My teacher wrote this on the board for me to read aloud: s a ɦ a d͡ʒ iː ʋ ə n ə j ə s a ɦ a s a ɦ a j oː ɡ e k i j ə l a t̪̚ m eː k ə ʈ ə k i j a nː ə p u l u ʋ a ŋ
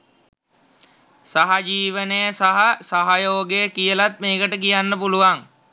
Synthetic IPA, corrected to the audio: s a ɦ a d͡ʒ iː ʋ ə n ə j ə s a ɦ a s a ɦ a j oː ɡ e k i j ə l a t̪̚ m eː k ə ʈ ə k i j a nː ə p u l u ʋ a ŋ